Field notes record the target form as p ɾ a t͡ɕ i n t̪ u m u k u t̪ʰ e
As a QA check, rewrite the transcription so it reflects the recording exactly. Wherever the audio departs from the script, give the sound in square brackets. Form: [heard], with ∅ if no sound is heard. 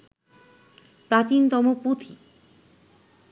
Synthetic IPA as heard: p ɾ a t͡ɕ i n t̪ [ɔ] m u [p] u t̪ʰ [i]